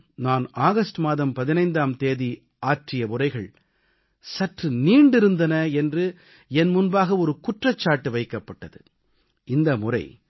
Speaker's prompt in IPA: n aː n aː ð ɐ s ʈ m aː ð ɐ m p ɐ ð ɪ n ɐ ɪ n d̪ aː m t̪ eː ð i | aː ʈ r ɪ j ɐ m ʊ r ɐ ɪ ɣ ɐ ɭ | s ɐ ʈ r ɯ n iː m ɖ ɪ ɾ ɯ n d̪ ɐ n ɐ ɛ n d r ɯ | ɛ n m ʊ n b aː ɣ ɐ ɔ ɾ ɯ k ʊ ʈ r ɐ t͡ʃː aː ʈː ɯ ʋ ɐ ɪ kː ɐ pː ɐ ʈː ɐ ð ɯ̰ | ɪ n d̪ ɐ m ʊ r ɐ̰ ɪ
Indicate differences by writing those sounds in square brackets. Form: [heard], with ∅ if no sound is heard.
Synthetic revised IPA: n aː n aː [ɣ] ɐ s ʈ m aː ð ɐ m p ɐ ð ɪ n ɐ ɪ n d̪ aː m t̪ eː ð i | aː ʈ r ɪ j ɐ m ʊ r ɐ ɪ ɣ ɐ ɭ | s ɐ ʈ r ɯ n iː [ɳ] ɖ ɪ ɾ ɯ n d̪ ɐ n ɐ ɛ n d r ɯ | ɛ n m ʊ n b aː ɣ ɐ ɔ ɾ ɯ k ʊ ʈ r ɐ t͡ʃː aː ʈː ɯ ʋ ɐ ɪ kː ɐ pː ɐ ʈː ɐ ð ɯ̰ | ɪ n d̪ ɐ m ʊ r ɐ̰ ɪ